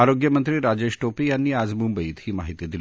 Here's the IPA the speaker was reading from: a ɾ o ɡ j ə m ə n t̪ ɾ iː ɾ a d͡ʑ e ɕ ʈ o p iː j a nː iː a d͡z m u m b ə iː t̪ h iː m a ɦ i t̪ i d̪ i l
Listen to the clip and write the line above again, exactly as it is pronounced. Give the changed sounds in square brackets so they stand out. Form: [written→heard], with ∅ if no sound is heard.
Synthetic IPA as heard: a ɾ o ɡ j ə m ə n t̪ ɾ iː ɾ a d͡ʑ e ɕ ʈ o p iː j a nː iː a d͡z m u m b ə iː t̪ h iː m a ɦ i t̪ i d̪ i l